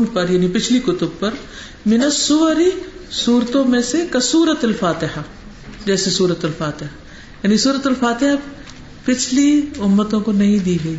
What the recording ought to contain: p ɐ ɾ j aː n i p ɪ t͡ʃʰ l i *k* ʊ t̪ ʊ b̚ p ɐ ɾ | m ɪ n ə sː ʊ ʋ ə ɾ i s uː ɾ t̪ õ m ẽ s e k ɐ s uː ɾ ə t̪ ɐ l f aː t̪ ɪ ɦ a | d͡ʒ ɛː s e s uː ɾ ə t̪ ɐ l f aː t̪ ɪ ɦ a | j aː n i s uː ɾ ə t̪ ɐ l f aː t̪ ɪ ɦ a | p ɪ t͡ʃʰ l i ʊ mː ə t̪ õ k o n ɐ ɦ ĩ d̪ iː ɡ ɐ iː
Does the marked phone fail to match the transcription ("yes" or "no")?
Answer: no